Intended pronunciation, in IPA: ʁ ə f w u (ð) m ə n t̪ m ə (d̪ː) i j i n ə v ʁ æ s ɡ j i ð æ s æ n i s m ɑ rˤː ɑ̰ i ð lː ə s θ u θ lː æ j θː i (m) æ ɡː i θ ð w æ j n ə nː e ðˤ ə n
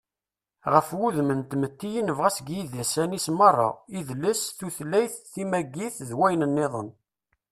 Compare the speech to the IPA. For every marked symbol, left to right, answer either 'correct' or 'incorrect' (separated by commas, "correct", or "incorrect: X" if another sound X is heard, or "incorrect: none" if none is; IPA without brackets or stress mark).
correct, incorrect: t̪ː, correct